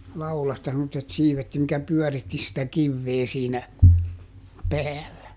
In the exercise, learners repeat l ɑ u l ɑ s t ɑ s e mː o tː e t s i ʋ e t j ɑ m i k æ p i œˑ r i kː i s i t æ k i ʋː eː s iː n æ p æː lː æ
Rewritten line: l ɑ u l ɑ s t ɑ s e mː o tː e t s iː ʋ e t j ɑ m i k æ p y œˑ r i tː i s i t æ k i ʋː eː s iː n æ p æː lː æ

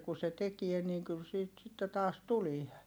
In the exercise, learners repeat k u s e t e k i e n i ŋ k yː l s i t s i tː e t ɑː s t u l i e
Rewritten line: k u s e t e k i e n iː ŋ k y l s iː t s i tː e t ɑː s t u l i e

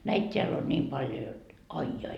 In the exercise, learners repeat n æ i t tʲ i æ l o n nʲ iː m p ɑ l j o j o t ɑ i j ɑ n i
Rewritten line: n æ i t tʲ e æ l o n nʲ iː m p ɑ l j o j o t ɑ i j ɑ i

